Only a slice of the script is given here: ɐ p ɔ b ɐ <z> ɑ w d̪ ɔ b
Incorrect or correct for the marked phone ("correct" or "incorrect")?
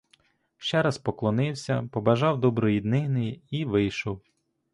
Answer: incorrect